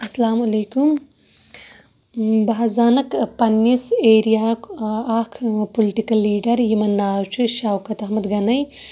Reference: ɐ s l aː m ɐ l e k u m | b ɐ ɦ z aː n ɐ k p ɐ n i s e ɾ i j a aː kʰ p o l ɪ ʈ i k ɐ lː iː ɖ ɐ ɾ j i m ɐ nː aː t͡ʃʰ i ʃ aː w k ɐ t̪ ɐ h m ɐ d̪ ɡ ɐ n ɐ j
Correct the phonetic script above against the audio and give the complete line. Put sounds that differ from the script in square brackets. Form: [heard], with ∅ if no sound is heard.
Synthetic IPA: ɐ s l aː m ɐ l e k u m | b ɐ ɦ z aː n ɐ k p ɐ n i s e ɾ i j a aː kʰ p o l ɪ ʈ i k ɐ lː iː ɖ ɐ ɾ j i m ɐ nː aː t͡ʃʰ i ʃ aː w k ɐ t̪ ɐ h m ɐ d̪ ɡ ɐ n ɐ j